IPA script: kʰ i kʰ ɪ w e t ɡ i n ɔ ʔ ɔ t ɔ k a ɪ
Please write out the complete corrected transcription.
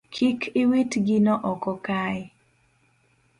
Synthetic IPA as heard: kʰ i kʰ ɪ w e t ɡ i n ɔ ʔ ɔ k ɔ k a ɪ